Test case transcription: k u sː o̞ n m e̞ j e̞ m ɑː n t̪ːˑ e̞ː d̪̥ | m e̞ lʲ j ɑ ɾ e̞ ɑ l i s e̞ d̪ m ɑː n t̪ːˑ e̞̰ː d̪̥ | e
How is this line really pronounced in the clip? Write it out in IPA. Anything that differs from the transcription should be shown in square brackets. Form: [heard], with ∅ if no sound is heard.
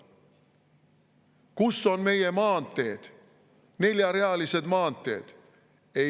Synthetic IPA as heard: k u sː o̞ n m e̞ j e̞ m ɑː n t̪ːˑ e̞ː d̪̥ | [n] e̞ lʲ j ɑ ɾ e̞ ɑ l i s e̞ d̪ m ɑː n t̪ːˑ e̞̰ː d̪̥ | e